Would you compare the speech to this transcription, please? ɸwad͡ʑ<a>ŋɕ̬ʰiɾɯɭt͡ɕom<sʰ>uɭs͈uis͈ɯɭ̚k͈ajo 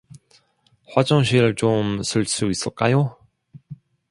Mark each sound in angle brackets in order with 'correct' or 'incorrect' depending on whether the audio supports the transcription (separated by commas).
incorrect, correct